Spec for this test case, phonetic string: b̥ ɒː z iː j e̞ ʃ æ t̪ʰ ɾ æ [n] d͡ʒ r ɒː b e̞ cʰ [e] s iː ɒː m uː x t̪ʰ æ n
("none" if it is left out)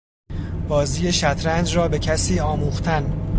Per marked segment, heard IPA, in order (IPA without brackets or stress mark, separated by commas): n, æ